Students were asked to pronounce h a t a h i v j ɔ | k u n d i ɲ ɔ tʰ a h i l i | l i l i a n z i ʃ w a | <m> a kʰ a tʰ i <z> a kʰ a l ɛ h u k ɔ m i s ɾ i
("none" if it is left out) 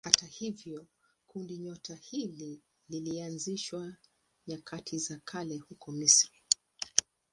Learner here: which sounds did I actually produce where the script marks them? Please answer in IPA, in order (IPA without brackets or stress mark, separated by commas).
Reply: ɲ, z